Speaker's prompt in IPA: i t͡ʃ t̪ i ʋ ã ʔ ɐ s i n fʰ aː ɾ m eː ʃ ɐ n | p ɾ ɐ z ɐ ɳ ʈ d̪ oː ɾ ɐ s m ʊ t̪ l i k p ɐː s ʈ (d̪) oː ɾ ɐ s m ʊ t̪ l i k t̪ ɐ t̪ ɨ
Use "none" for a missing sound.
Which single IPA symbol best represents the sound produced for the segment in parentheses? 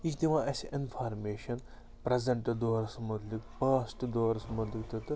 d̪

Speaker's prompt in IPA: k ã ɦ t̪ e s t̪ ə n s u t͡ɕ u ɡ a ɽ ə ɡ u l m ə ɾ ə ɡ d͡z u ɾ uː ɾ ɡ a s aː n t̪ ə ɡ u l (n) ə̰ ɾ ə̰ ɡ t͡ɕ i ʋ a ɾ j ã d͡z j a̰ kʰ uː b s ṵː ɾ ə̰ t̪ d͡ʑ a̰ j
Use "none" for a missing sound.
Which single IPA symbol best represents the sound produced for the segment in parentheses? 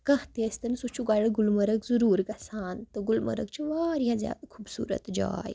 m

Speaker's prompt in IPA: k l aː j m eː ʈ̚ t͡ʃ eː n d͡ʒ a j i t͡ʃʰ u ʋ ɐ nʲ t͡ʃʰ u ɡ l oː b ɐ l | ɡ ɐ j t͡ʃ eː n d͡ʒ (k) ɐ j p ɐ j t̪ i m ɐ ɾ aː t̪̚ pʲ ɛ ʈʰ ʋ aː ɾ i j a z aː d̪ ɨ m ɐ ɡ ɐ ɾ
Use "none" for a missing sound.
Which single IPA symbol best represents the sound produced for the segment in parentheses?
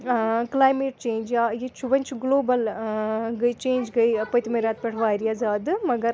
ɡ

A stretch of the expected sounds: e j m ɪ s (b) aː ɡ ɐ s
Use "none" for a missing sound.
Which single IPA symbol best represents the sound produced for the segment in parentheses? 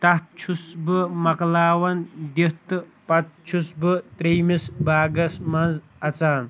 b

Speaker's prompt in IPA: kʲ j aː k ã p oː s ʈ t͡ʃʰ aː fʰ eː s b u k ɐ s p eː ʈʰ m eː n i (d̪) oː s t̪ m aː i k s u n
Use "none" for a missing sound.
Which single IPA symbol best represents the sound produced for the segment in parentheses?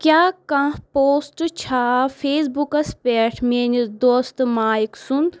d̪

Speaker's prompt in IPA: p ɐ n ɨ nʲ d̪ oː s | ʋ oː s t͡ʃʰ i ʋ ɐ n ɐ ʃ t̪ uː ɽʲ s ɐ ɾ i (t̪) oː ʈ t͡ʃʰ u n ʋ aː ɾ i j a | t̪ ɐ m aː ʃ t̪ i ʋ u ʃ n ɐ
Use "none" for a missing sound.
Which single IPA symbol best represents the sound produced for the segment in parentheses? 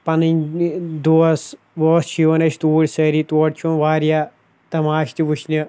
t̪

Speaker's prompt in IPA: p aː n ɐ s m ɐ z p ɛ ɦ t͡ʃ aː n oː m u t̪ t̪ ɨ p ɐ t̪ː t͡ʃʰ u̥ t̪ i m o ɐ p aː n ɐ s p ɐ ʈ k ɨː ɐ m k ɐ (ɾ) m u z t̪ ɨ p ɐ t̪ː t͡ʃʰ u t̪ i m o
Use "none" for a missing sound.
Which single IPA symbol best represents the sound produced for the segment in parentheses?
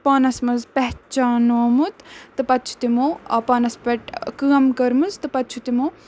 ɾ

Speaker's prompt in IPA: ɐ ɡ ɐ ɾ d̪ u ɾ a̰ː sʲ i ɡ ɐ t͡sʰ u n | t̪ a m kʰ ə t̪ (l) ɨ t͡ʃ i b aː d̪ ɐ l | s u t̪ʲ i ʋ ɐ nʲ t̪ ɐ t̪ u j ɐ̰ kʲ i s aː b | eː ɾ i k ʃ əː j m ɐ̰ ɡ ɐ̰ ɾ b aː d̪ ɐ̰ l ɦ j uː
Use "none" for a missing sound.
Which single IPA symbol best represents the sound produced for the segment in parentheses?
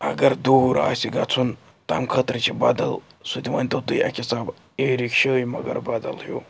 ɾ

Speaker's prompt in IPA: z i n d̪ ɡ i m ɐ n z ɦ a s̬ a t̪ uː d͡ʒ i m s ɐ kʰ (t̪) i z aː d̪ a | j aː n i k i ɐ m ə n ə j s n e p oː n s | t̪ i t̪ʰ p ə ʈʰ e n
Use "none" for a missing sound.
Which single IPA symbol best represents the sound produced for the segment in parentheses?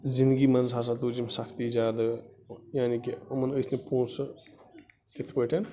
t̪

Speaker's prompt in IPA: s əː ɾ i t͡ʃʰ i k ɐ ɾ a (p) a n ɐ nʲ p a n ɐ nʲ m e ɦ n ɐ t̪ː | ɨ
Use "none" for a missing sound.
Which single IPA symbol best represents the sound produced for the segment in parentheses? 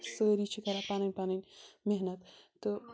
p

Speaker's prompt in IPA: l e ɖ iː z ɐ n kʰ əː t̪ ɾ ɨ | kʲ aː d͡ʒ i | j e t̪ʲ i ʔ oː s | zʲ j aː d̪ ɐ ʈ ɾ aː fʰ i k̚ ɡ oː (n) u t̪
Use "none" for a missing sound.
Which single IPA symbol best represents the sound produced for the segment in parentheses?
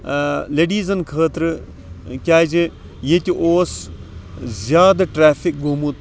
m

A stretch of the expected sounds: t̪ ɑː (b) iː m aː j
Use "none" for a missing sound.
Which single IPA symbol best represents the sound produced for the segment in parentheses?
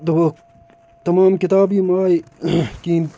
b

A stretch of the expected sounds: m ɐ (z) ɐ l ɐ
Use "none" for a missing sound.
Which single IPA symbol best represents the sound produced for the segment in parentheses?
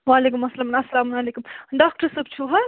s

